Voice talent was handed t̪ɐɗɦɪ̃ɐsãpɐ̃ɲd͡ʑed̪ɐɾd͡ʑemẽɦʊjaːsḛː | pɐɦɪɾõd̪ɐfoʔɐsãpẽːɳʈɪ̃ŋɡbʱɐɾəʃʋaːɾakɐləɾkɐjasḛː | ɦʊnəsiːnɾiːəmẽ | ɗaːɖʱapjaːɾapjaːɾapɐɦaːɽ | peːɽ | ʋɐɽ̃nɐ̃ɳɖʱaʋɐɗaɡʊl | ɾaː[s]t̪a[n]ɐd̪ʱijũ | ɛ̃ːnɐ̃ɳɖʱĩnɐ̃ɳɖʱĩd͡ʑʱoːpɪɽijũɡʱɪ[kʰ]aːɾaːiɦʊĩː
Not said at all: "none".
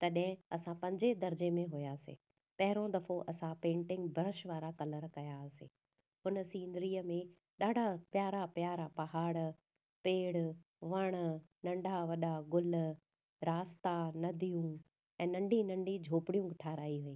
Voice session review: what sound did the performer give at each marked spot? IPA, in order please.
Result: s, n, ʈʰ

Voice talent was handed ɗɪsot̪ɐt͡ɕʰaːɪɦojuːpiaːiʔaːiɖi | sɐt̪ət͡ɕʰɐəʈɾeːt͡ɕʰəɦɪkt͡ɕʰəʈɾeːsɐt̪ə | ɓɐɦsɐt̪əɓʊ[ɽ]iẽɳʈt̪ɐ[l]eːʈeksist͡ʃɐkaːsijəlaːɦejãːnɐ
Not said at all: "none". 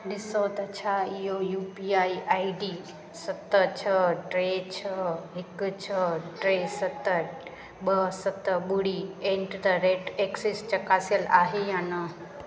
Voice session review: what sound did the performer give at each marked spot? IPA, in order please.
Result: ɽ, ɾ

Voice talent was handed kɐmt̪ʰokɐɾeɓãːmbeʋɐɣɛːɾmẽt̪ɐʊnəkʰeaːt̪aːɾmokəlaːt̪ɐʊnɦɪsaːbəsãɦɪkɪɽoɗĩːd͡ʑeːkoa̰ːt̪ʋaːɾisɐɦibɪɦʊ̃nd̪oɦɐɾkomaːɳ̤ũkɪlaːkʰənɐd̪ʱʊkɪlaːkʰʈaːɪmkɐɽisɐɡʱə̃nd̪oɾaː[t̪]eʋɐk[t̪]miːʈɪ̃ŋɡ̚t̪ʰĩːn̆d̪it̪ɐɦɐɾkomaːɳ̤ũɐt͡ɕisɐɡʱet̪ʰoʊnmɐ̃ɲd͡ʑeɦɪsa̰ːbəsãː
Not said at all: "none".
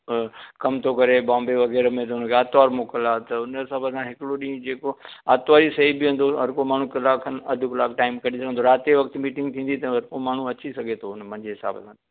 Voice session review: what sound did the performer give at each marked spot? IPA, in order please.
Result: t̪, t̪

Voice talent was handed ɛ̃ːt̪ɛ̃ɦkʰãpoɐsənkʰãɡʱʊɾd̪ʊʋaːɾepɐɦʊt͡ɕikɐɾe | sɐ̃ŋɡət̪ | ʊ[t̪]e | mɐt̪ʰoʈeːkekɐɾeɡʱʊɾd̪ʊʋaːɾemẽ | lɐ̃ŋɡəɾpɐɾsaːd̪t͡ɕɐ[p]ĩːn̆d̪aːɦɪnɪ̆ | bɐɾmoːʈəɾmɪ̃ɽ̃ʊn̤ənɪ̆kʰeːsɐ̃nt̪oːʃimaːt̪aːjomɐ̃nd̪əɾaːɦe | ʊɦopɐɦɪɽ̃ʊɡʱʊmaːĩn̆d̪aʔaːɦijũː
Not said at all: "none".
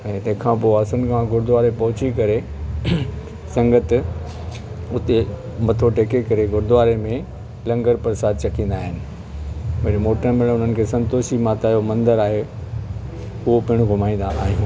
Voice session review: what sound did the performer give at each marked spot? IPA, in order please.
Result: t̪, k

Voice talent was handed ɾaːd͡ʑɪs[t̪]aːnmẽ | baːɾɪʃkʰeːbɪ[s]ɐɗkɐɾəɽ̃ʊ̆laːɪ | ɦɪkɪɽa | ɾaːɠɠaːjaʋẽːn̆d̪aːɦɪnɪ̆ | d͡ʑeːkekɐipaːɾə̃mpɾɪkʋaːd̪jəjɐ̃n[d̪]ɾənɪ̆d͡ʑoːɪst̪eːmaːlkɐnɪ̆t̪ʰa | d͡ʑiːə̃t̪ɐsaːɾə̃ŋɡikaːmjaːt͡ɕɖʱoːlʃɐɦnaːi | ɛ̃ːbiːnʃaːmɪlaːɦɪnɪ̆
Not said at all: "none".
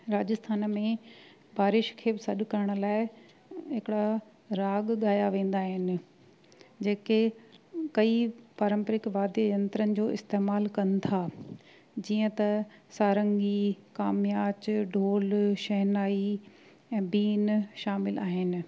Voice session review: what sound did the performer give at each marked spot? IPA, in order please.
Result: t̪ʰ, s, t̪

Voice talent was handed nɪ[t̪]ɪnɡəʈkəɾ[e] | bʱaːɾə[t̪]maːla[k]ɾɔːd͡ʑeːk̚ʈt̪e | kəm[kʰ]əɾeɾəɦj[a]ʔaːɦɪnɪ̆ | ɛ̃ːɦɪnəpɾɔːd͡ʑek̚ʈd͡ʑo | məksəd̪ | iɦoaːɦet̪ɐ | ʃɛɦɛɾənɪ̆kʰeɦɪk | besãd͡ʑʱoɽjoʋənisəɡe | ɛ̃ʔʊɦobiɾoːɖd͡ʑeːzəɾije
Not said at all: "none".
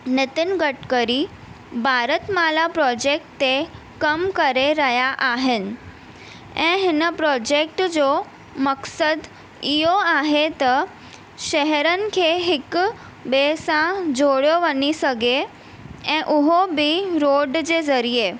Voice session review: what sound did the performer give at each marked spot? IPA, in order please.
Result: t̪, i, t̪, p, k, a

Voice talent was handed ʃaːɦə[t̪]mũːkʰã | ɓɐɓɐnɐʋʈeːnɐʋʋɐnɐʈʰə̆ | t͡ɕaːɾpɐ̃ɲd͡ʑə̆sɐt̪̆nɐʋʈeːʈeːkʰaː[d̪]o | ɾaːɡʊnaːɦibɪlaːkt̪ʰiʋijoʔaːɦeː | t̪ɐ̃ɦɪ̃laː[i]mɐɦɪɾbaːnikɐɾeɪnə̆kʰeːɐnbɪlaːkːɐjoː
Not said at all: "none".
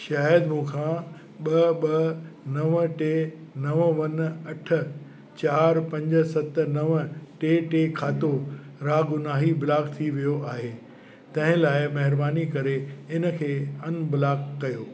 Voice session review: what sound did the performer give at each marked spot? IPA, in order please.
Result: d̪, t̪, ɪ

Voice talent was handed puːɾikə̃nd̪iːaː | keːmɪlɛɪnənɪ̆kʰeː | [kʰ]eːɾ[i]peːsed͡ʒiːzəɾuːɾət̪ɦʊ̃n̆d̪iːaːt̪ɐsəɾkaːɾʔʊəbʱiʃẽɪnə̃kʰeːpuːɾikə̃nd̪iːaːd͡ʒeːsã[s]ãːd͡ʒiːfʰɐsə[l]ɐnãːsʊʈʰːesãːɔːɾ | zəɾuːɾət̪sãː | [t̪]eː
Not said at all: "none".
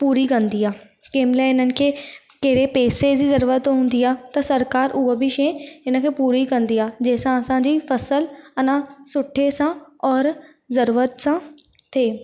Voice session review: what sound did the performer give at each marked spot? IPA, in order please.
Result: k, e, s, l, t̪ʰ

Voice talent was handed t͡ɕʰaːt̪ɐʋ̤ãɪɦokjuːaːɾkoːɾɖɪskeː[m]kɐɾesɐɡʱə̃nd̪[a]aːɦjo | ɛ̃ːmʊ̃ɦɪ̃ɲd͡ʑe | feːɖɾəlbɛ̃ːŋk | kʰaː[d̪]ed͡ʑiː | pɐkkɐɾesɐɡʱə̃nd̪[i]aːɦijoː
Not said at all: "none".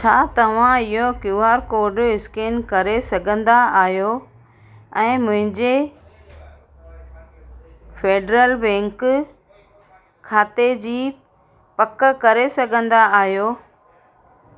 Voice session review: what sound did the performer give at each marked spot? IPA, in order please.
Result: n, a, t̪, a

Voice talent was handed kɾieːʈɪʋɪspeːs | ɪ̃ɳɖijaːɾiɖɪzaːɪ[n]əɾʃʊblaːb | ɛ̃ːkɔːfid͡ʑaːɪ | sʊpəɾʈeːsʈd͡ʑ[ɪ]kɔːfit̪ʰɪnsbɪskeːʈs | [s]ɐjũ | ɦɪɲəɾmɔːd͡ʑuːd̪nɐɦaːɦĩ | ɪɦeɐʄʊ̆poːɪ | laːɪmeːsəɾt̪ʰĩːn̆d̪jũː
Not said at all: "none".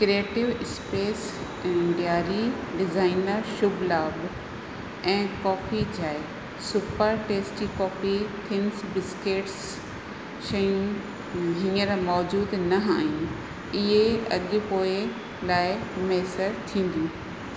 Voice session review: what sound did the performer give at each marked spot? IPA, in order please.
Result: n, i, ʃ

